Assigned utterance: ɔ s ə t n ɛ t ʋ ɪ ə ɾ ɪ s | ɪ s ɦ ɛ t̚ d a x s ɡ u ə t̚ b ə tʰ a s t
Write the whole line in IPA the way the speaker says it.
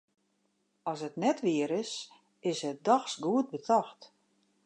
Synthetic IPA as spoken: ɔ s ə t n ɛ t ʋ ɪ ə ɾ ɪ s | ɪ s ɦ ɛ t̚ d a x s ɡ u ə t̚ b ə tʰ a x t